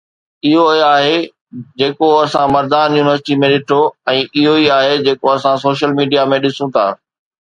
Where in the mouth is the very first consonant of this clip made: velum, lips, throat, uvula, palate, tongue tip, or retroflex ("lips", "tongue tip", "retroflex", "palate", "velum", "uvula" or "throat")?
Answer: throat